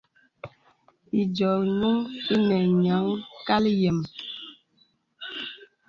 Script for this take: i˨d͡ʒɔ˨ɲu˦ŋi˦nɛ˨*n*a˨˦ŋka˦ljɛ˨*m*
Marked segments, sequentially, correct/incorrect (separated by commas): incorrect, correct